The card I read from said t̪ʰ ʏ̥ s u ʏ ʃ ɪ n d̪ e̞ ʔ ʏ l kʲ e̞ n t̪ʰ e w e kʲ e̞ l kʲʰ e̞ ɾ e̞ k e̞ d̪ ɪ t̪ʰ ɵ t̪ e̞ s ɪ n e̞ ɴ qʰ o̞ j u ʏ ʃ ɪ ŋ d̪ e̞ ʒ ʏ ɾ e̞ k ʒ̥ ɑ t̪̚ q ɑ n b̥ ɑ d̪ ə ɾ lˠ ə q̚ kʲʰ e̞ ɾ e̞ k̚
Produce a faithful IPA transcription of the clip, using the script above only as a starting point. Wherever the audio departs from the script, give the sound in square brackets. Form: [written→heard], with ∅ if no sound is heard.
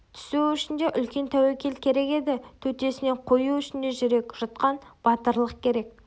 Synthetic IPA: t̪ʰ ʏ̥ s u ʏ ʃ ɪ n d̪ e̞ ʔ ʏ l kʲ e̞ n t̪ʰ [e→æ] w e kʲ e̞ l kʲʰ e̞ ɾ e̞ k e̞ d̪ ɪ t̪ʰ ɵ t̪ e̞ s ɪ n e̞ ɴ qʰ o̞ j u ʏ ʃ ɪ [ŋ→n] d̪ e̞ ʒ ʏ ɾ e̞ k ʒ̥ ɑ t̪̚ q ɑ n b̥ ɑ [d̪→t̪] ə ɾ lˠ ə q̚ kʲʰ e̞ ɾ e̞ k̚